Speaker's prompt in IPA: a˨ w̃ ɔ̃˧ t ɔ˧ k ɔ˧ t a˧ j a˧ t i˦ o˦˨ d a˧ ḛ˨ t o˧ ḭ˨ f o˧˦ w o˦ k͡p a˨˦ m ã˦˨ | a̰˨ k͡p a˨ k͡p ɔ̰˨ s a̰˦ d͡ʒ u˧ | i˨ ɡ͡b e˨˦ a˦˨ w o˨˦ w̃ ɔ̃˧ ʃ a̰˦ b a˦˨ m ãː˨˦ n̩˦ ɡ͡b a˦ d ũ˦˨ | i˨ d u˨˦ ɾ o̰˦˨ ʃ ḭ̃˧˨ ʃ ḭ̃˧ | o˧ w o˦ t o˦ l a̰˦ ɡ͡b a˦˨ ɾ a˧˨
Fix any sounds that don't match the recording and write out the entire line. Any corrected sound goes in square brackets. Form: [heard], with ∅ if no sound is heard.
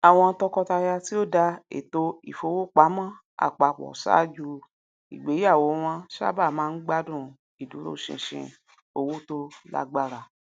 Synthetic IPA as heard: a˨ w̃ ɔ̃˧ t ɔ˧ k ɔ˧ t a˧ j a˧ t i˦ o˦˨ d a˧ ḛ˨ t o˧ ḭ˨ f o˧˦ w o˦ k͡p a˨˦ m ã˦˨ | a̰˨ k͡p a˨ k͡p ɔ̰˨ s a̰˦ d͡ʒ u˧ | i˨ ɡ͡b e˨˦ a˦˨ w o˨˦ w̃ ɔ̃˧ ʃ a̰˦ b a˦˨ m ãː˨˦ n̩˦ ɡ͡b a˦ d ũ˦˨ | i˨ d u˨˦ ɾ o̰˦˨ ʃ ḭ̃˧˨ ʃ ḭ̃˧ | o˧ w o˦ t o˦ l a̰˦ ɡ͡b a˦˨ ɾ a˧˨